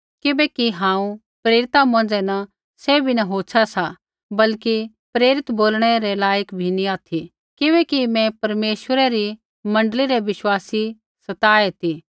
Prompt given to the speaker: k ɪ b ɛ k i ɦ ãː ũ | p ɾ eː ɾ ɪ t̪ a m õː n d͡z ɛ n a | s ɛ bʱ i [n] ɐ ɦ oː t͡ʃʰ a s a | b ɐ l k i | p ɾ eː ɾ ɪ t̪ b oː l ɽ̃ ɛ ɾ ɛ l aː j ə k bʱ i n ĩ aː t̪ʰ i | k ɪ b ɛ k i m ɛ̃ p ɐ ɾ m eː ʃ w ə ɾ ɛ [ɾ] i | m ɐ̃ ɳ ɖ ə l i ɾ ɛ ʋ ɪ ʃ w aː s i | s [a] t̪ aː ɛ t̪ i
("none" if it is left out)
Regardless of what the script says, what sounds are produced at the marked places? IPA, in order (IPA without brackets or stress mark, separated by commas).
n, ɾ, ɐ